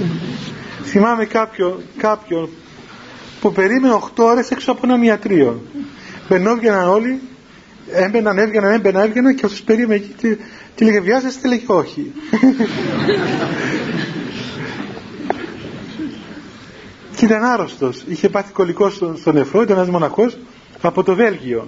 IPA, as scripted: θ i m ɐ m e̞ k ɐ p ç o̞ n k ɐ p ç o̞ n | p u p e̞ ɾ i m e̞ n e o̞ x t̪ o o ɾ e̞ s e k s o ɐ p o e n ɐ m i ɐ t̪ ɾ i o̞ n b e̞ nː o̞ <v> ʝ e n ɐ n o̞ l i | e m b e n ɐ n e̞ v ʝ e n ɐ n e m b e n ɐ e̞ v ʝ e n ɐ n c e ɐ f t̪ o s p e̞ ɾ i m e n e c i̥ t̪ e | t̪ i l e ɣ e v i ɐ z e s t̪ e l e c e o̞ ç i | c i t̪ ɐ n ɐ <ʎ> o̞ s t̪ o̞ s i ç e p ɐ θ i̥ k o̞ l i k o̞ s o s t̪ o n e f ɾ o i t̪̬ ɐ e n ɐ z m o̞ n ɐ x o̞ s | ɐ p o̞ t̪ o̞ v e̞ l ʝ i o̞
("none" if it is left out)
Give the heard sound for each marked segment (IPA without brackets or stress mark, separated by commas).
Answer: v, ɾ